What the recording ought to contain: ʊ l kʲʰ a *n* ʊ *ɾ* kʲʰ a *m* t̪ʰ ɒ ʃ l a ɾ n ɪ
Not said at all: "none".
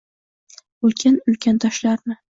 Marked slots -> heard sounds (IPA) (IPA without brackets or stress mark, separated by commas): n, l, n